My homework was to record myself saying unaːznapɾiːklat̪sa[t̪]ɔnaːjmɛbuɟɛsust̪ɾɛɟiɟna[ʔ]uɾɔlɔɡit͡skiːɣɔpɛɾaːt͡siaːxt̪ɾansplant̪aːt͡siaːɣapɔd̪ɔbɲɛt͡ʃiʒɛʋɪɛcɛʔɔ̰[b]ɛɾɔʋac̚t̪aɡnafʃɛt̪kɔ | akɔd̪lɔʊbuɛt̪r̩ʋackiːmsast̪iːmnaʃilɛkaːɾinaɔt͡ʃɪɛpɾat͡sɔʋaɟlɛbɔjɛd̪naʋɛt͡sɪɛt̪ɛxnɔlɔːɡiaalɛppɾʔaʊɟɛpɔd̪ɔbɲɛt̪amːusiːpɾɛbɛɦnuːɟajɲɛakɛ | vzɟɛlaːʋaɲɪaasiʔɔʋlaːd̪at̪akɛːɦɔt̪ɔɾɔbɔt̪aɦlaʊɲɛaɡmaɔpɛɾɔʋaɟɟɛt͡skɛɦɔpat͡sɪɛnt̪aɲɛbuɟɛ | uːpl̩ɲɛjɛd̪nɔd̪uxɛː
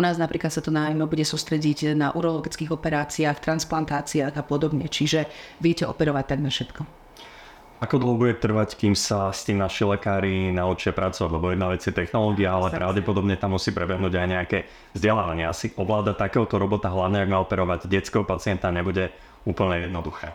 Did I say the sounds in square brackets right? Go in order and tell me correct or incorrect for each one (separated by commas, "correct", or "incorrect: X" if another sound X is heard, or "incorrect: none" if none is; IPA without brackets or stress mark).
correct, correct, incorrect: p